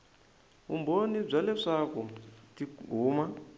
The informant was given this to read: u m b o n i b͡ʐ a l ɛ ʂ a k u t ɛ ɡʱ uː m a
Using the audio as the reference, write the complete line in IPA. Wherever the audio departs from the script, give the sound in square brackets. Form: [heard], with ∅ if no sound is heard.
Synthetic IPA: u m b o n i b͡ʐ a l ɛ ʂ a k u t [i] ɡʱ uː m a